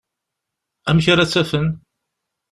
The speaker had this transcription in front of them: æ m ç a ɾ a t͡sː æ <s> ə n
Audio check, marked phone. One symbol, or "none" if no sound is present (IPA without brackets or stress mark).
f